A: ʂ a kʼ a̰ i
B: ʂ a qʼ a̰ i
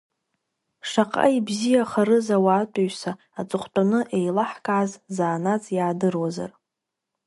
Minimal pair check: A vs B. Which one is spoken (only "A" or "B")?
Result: B